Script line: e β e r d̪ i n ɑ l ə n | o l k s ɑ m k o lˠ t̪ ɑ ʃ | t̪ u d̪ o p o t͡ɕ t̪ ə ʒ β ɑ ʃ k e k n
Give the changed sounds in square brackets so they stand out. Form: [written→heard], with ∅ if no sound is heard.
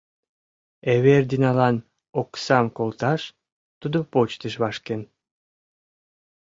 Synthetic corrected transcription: e β e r d̪ i n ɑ l [ə→ɑ] n | o [l→∅] k s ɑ m k o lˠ t̪ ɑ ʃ | t̪ u d̪ o p o t͡ɕ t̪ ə [ʒ→ʃ] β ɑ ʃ k e [k→∅] n